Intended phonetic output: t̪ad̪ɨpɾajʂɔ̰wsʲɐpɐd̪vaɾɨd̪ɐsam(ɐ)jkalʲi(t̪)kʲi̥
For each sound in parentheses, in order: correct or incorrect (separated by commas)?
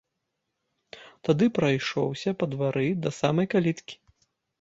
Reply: correct, correct